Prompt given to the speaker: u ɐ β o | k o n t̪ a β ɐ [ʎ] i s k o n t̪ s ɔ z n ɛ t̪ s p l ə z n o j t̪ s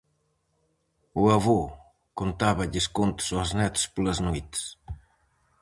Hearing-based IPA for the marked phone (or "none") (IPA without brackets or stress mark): ʎ